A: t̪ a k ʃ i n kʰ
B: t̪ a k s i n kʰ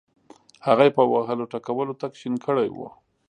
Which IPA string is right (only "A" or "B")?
A